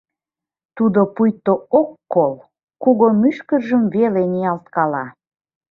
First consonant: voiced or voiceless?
voiceless